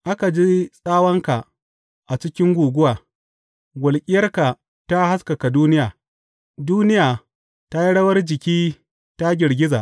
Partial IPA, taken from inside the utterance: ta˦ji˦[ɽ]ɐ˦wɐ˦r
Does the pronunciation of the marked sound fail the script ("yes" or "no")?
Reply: no